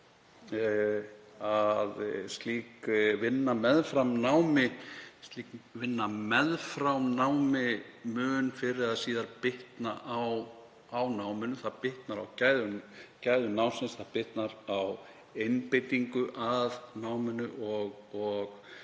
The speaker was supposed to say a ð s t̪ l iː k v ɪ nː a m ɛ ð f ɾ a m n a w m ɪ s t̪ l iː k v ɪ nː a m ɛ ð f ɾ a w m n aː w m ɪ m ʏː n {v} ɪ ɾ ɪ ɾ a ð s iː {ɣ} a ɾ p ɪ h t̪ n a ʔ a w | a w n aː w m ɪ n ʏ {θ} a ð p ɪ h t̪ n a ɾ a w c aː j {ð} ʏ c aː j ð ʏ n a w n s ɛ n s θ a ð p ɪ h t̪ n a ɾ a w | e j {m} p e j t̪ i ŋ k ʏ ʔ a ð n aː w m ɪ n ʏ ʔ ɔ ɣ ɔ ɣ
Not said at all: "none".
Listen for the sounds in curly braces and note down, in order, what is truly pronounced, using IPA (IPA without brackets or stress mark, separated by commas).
f, ð, θ, ð, n